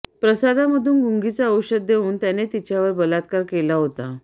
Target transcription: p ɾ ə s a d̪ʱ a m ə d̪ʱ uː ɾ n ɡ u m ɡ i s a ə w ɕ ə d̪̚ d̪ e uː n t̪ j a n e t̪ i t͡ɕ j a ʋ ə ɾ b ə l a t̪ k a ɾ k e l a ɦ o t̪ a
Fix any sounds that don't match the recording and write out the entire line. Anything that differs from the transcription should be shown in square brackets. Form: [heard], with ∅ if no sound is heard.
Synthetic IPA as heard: p ɾ ə s a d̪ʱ a m ə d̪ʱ uː [∅] n ɡ u [ŋ] ɡ i [t͡s] a ə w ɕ ə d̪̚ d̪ e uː n t̪ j a n e t̪ i t͡ɕ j a ʋ ə ɾ b ə l a t̪ k a ɾ k e l a ɦ o t̪ a